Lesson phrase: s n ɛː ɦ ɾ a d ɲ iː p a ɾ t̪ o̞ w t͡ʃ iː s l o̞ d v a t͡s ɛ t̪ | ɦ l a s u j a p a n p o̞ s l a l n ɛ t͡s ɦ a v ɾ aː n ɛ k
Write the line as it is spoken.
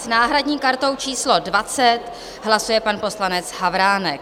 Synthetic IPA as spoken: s n aː ɦ ɾ a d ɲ iː k a ɾ t̪ o̞ w t͡ʃ iː s l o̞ d v a t͡s ɛ t̪ | ɦ l a s u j ɛ p a n p o̞ s l a n ɛ t͡s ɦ a v ɾ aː n ɛ k